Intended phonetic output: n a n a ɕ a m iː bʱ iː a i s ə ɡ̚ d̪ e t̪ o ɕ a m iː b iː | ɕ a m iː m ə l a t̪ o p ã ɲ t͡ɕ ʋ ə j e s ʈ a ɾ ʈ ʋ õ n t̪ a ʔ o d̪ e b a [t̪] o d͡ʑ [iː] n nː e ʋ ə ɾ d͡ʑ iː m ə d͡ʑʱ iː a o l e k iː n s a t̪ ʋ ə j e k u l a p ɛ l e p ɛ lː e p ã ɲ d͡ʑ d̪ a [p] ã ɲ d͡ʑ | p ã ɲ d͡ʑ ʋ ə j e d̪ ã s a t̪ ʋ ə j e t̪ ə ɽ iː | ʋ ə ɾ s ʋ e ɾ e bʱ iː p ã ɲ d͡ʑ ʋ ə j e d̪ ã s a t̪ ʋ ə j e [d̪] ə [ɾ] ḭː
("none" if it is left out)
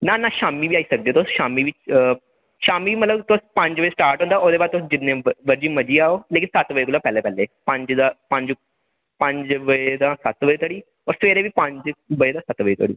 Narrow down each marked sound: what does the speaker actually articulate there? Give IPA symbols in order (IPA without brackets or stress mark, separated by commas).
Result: t̪, i, p, t̪, ɽ